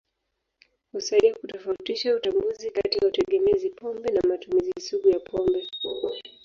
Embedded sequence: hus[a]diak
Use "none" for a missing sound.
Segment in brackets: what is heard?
a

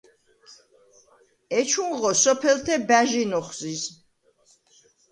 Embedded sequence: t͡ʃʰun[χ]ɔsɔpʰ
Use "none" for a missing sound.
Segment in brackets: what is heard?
ʁ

